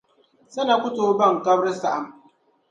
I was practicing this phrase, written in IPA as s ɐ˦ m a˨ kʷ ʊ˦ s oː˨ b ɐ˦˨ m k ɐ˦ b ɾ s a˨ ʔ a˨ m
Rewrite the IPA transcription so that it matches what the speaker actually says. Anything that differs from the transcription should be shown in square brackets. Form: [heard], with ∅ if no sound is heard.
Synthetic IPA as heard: s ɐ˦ [n] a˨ kʷ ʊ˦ [t] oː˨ b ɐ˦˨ [ŋ] k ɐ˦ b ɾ s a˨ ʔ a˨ m